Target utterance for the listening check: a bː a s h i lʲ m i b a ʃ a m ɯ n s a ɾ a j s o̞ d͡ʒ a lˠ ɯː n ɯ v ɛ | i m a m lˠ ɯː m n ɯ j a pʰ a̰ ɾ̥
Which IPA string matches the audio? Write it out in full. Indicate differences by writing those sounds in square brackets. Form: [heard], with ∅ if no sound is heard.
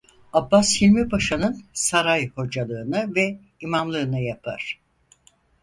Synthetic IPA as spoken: a bː a s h i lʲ m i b a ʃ a [n] ɯ n s a ɾ a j [h] o̞ d͡ʒ a lˠ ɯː n ɯ v ɛ | i m a m lˠ ɯː [∅] n ɯ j a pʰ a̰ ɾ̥